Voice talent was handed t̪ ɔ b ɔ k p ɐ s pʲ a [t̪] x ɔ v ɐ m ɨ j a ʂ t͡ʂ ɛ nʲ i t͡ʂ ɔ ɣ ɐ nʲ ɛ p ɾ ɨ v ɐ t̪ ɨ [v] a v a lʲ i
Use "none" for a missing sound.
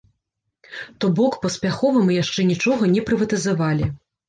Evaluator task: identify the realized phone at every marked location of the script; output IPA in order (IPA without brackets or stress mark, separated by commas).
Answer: none, z